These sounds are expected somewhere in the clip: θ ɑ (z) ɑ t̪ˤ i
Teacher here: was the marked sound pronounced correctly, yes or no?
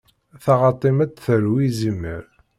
no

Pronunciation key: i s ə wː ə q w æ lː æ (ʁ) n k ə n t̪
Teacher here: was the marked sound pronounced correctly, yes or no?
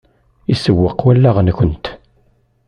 yes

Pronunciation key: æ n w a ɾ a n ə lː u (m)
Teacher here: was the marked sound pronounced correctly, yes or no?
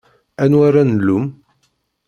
yes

